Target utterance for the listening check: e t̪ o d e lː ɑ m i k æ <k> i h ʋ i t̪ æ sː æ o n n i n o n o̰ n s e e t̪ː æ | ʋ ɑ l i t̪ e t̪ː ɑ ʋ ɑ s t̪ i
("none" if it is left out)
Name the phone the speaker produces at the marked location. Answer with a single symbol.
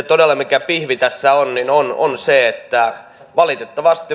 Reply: p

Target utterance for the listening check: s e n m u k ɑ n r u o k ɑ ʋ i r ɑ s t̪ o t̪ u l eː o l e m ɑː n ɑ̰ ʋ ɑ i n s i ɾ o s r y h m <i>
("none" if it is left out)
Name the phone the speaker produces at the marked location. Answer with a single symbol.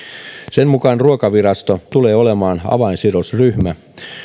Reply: æ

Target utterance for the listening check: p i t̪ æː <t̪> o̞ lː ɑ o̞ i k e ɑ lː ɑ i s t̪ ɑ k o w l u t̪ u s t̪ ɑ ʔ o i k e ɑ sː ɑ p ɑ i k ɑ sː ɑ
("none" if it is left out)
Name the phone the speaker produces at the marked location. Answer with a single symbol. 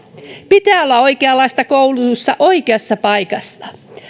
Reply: none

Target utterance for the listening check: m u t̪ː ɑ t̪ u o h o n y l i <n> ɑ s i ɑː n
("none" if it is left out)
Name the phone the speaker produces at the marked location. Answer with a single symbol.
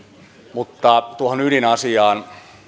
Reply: n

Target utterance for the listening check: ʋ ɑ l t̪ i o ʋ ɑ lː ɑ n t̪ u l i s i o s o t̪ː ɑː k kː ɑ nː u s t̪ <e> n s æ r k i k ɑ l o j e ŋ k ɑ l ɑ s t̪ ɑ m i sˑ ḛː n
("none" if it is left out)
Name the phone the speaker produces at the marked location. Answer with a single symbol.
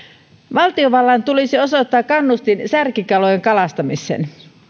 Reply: i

